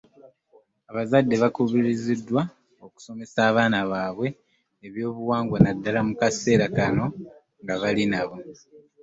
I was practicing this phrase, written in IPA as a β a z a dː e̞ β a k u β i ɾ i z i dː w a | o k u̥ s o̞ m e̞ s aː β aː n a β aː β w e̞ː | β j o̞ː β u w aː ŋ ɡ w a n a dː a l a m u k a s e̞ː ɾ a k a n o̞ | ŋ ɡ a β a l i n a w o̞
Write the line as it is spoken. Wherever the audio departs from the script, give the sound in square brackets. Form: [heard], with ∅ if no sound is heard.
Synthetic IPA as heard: a β a z a dː e̞ β a k u β i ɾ i z i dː w a | o k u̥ s o̞ m e̞ s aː β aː n a β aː β w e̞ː | β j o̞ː β u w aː ŋ ɡ w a n a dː a l a m u k a s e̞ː ɾ a k a n o̞ | ŋ ɡ a β a l i n a [β] o̞

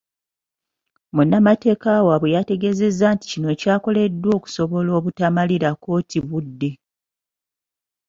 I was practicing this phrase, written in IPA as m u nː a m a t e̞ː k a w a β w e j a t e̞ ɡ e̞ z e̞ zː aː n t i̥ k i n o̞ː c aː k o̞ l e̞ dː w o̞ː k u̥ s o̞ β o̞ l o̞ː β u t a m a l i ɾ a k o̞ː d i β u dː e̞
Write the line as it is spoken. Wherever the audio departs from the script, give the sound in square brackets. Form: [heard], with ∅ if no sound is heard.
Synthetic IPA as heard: m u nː a m a t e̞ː k a w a β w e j a t e̞ ɡ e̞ z e̞ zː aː n t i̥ [c] i n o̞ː c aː k o̞ l e̞ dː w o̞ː k u̥ s o̞ β o̞ l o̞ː β u t a m a l i ɾ a k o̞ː [t] i β u dː e̞

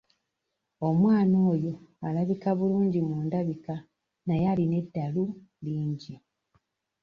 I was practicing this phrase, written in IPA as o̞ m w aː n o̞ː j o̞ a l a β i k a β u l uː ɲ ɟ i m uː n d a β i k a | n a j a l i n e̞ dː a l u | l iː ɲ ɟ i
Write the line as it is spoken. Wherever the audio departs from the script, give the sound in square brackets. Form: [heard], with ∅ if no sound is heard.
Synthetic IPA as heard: o̞ m w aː n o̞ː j o̞ a l a β i k a β u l uː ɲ ɟ i m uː n d a β i k a | n a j a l i n e̞ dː a l u | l iː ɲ ɟ i

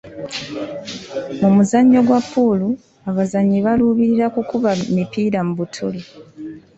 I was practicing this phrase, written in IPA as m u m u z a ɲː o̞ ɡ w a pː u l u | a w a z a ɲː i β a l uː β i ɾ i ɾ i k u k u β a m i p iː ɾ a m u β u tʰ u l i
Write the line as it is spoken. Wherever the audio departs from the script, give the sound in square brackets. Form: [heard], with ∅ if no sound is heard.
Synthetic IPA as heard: m u m u z a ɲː o̞ ɡ w a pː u l u | a [β] a z a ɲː i β a l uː β i ɾ i ɾ [a] k u k u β a m i p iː ɾ a m u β u tʰ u l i

